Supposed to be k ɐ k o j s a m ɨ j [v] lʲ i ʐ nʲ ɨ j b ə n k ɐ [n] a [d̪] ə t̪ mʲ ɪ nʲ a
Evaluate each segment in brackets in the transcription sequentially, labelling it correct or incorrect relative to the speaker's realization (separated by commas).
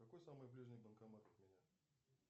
incorrect, incorrect, incorrect